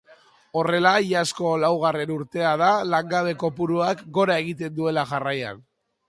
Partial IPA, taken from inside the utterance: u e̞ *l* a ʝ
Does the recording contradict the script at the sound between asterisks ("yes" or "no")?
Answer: no